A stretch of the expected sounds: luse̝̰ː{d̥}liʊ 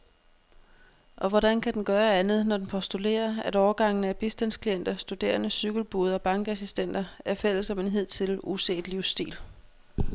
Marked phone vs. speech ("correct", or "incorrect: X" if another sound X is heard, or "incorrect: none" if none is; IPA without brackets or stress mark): correct